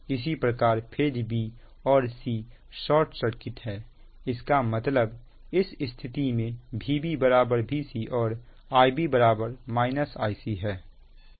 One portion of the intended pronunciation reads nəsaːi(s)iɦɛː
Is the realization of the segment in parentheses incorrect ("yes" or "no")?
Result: no